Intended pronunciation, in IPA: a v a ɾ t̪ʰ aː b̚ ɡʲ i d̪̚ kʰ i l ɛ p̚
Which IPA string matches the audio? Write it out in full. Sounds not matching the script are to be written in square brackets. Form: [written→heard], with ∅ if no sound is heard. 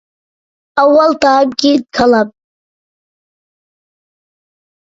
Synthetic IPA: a [v→w] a [ɾ→l] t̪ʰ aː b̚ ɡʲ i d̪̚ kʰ [i→a] l [ɛ→a] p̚